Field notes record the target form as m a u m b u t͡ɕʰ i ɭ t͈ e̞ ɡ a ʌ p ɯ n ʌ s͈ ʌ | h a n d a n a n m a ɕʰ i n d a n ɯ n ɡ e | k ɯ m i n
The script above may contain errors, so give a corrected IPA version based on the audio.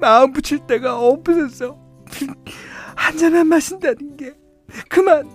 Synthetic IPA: m a ɯ m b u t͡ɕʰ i ɭ t͈ e̞ ɡ a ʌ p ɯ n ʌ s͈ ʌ | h a n d͡ʑ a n a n m a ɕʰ i n d a n ɯ n ɡ e | k ɯ m a n